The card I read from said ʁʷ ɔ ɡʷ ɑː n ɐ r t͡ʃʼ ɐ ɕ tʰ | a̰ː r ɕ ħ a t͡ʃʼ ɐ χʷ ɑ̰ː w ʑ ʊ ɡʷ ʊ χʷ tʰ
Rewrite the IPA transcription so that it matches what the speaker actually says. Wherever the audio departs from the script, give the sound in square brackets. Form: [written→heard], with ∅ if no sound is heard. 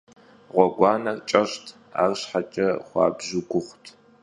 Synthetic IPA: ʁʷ ɔ ɡʷ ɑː n ɐ r t͡ʃʼ ɐ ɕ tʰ | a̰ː r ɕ ħ a t͡ʃʼ ɐ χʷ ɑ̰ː [w→b] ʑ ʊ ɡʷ ʊ χʷ tʰ